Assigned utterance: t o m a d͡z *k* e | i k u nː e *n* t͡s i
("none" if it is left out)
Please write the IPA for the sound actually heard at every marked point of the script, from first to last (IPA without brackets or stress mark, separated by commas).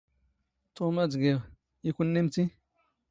ɡ, m